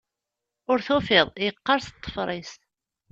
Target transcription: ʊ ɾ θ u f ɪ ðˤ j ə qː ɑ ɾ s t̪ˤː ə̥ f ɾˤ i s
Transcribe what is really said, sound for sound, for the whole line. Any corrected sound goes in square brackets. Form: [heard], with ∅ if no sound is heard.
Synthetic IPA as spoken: ʊ ɾ θ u f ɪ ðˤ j ə qː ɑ ɾ s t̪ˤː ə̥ f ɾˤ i s